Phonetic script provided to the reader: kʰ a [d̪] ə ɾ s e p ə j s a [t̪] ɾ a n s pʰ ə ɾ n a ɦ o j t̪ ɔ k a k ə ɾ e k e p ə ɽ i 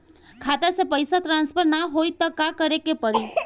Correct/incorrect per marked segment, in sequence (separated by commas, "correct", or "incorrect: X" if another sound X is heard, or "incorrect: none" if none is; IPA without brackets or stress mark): incorrect: t̪, correct